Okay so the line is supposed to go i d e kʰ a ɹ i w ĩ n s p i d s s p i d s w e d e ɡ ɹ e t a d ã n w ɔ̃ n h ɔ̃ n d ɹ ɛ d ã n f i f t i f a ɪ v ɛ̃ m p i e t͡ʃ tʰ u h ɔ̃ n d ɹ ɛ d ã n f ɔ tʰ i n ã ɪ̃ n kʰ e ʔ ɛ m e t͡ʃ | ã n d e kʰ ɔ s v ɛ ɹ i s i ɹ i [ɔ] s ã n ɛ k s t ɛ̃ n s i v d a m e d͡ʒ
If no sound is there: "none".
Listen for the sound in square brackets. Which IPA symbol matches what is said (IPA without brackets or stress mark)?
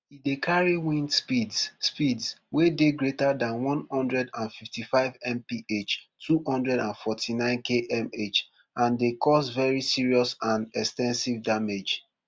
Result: ɔ